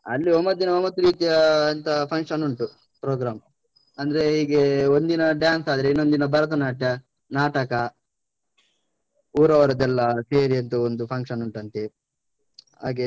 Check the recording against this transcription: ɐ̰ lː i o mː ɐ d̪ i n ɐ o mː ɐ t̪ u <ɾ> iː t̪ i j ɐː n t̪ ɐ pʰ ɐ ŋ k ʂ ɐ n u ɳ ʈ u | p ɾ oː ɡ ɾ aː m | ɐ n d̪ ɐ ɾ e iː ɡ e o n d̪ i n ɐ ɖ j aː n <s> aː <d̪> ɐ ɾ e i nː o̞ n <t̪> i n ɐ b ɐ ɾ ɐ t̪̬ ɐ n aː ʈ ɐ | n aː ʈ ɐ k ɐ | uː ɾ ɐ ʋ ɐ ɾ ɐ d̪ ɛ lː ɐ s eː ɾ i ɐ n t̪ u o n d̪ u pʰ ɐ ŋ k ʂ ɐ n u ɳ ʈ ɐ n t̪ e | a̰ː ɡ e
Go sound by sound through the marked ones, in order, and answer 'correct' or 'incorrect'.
correct, correct, correct, incorrect: d̪

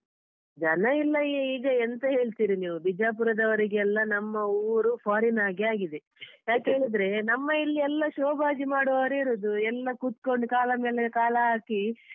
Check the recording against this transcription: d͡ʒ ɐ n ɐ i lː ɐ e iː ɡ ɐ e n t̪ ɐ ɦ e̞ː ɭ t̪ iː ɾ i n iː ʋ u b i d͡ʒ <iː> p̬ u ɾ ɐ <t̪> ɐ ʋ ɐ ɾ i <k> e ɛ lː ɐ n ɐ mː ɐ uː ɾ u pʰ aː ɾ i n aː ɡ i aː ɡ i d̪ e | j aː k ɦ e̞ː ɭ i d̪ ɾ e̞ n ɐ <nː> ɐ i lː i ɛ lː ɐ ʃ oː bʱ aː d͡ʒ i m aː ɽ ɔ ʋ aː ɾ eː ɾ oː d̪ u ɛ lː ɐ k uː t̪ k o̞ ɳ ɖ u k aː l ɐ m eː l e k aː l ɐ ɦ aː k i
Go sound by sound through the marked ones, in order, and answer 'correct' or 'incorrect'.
incorrect: aː, incorrect: d̪, incorrect: ɡ, incorrect: mː

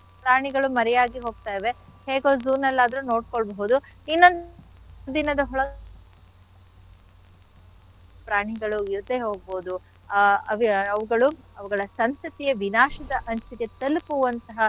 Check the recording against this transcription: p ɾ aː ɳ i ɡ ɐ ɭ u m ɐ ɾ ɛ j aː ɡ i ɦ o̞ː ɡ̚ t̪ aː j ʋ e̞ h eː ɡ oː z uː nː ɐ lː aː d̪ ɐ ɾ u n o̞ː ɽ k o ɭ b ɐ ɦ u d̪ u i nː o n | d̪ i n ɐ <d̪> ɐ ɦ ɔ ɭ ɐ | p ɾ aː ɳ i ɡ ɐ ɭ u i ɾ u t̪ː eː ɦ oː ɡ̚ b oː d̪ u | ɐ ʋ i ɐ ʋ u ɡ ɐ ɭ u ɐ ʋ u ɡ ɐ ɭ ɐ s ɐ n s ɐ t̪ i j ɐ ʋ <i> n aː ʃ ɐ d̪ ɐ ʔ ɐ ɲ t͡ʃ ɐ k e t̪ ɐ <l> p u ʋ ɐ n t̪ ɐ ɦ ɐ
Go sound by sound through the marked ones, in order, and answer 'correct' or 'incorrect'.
correct, correct, correct

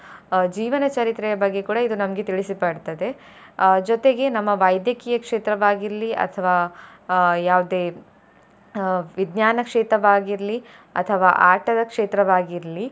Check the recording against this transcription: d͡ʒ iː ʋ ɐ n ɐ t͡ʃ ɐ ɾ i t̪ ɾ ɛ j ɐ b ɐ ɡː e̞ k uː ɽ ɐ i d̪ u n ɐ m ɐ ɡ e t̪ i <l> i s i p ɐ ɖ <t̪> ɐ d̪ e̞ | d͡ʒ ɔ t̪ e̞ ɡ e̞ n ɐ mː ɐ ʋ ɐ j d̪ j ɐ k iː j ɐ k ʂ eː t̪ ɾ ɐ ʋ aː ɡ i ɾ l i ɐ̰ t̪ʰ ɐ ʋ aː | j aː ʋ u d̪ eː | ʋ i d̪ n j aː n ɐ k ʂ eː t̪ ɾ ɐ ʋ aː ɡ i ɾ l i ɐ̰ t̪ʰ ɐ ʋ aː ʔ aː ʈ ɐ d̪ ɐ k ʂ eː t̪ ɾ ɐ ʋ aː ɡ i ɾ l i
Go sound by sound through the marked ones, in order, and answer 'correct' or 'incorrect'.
incorrect: ɭ, correct

